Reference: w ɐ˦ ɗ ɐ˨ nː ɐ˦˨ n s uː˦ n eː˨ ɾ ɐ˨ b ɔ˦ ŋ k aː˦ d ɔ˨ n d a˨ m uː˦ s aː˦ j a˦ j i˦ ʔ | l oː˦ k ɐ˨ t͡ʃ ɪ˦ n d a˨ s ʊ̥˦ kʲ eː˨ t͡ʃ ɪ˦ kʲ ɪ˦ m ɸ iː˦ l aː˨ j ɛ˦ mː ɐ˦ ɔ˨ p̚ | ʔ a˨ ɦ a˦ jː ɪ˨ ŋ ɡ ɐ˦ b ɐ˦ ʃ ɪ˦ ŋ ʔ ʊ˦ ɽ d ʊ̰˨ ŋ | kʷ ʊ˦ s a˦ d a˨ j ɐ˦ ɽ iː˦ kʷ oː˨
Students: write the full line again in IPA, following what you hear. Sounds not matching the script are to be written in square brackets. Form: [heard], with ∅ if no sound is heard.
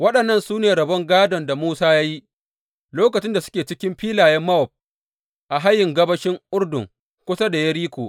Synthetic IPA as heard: w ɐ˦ ɗ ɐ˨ nː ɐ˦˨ n s uː˦ n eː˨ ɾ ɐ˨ b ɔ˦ ŋ [ɡ] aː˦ d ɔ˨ n d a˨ m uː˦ s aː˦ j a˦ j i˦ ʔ | l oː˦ k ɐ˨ t͡ʃ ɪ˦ n d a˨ s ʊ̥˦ kʲ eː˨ t͡ʃ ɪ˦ kʲ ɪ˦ m ɸ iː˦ l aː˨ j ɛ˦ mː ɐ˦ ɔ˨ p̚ | ʔ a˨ ɦ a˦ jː ɪ˨ ŋ ɡ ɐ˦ b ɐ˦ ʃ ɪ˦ ŋ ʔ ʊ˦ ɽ d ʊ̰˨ ŋ | kʷ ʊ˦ s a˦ d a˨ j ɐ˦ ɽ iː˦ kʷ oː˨